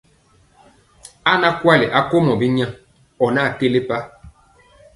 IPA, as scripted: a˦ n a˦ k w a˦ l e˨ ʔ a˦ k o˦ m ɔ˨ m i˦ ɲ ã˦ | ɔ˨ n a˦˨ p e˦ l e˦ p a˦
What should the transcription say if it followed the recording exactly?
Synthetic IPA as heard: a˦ n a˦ k w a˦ l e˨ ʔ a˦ k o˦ m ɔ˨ b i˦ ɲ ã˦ | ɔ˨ n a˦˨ k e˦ l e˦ p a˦